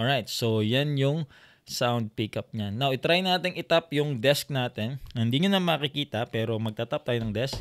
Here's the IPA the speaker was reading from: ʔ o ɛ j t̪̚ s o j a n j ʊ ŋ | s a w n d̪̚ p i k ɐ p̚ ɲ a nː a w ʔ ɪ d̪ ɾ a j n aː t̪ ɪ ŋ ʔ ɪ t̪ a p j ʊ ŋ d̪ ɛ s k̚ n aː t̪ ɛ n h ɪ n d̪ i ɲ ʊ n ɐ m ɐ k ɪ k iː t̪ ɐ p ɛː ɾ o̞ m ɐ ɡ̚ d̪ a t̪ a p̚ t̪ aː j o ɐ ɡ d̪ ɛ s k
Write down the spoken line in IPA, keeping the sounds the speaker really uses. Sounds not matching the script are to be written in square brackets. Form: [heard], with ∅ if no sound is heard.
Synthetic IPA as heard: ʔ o [a] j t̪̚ s o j a n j ʊ ŋ | s a w n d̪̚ p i k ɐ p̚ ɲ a nː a w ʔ ɪ [t̪] ɾ a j n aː t̪ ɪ ŋ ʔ ɪ t̪ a p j ʊ ŋ d̪ ɛ s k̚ n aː t̪ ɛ n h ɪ n d̪ i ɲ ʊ n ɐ m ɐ k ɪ k iː t̪ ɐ p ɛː ɾ o̞ m ɐ ɡ̚ [t̪] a t̪ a p̚ t̪ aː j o ɐ [ŋ] d̪ ɛ s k